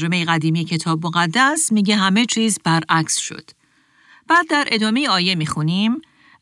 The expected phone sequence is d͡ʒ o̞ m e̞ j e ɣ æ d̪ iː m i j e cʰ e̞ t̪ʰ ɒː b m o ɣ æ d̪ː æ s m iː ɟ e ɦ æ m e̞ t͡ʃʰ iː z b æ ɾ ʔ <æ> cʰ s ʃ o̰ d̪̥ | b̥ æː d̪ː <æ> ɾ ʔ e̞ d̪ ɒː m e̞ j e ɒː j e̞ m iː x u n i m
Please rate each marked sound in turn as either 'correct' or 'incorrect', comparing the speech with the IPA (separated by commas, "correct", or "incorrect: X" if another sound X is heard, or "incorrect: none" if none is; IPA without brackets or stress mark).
correct, correct